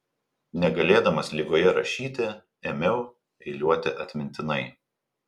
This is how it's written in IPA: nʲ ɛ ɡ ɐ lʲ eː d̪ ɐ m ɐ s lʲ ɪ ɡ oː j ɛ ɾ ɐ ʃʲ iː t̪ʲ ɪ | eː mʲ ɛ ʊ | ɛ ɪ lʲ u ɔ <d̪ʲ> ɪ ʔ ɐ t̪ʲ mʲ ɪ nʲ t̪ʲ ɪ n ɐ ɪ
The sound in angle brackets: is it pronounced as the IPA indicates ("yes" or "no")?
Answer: no